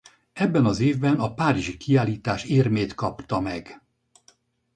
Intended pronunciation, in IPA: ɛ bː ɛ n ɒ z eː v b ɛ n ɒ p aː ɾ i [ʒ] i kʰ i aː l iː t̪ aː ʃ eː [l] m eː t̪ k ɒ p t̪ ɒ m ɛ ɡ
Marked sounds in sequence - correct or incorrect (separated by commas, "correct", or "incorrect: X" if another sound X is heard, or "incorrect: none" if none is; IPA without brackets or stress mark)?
correct, incorrect: r